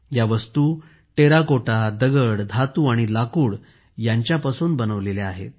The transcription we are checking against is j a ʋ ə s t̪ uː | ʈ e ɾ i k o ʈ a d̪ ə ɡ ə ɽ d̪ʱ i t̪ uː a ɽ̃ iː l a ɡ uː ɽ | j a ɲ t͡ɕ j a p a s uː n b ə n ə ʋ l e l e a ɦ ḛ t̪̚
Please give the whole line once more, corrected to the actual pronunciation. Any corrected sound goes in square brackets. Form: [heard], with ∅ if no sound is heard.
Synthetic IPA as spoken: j a ʋ ə s t̪ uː | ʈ e ɾ [a] k o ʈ a d̪ ə ɡ ə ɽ d̪ʱ [a] t̪ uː a ɽ̃ [i] l a [k] uː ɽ | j a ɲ t͡ɕ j a p a s uː n b ə n ə ʋ l e l e a ɦ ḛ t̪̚